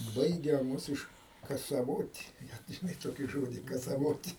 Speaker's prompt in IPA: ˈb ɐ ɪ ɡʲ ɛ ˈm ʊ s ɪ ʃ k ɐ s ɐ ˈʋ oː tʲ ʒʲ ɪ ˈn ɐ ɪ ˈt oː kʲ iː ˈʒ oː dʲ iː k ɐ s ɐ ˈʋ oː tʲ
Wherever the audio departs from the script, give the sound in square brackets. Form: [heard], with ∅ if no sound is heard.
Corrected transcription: ˈb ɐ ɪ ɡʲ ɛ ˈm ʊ s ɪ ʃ k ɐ s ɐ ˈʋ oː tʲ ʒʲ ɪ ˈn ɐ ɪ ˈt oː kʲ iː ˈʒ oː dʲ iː k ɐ s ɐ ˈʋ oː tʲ